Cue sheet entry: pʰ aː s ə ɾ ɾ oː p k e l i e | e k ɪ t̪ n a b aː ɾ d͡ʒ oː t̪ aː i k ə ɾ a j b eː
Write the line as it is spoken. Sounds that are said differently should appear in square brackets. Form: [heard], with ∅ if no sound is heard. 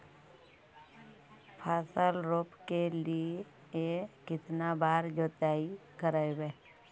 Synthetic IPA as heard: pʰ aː s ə [l] ɾ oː p k e l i e | e k ɪ t̪ n a b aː ɾ d͡ʒ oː t̪ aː i k ə ɾ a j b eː